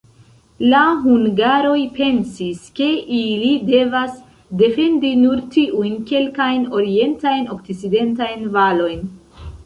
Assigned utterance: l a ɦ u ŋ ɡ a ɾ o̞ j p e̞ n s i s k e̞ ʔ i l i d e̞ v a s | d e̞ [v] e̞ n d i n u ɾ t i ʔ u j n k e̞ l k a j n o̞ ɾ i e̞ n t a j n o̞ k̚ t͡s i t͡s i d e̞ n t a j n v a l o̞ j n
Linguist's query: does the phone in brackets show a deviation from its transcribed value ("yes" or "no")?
yes